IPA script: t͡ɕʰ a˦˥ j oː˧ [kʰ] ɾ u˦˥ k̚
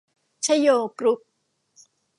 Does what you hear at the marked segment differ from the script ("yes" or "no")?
yes